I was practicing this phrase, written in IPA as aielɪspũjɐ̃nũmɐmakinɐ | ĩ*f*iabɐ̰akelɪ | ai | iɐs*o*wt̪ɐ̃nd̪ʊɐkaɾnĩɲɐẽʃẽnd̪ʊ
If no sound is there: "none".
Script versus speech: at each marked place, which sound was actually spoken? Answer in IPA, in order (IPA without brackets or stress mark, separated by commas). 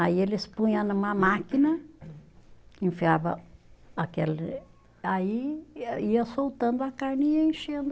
f, o